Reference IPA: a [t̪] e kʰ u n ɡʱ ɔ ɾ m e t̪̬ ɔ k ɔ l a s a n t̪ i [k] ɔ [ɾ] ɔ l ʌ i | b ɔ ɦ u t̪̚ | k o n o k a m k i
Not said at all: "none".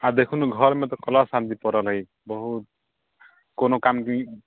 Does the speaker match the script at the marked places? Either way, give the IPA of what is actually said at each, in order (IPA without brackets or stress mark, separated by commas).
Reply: d̪, p, ɾ